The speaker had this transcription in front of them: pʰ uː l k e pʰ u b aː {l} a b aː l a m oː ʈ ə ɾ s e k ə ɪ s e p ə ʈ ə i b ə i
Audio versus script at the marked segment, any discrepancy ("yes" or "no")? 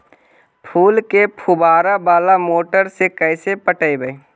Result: yes